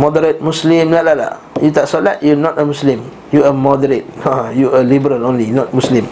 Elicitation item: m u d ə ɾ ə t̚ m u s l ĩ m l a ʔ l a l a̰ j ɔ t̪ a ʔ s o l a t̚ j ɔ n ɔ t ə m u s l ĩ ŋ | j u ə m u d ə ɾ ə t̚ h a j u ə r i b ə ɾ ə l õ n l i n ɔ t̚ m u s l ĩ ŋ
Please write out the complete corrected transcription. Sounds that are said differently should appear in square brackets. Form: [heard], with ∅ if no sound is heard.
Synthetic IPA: m [ɔ] d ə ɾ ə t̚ m u s l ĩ m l a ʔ l a l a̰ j [u] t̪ a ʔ s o l a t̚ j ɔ n ɔ t ə m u s l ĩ [m] | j u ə m [ɔ] d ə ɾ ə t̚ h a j u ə [l] i b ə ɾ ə l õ n l i n ɔ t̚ m u s l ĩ [m]